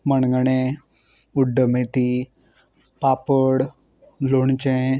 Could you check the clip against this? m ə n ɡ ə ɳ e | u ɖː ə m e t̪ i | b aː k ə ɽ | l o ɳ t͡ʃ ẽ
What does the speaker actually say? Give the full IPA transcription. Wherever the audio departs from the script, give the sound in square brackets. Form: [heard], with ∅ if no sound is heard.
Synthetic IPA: m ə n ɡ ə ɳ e | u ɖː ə m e t̪ i | [p] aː [p] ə ɽ | l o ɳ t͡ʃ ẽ